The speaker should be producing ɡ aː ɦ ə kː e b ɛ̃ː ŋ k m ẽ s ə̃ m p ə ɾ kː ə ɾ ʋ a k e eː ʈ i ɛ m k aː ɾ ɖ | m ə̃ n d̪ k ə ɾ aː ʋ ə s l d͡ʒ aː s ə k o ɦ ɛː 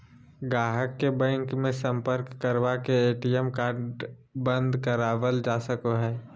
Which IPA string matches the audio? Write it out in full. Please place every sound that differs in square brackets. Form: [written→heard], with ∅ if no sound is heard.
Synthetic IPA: ɡ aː ɦ ə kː e b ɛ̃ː ŋ k m ẽ s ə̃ m p ə ɾ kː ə ɾ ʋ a k e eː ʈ i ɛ m k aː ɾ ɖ | [m→b] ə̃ n d̪ k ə ɾ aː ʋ ə [s→∅] l d͡ʒ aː s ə k o ɦ ɛː